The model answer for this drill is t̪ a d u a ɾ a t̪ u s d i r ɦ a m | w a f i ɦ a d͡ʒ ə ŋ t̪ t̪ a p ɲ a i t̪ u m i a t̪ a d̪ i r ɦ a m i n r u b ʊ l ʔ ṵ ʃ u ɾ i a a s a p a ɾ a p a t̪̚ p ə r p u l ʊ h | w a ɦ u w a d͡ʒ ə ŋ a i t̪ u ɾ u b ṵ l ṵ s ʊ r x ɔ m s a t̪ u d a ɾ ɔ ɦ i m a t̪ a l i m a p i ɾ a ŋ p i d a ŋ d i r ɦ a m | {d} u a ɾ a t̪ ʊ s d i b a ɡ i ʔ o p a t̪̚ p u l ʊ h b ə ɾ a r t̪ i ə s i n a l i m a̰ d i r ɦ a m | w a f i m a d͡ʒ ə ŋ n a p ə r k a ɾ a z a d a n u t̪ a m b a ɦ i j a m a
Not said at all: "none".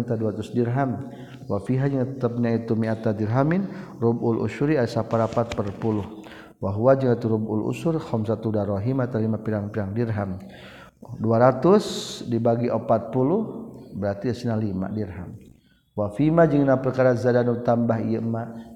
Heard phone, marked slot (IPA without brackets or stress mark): d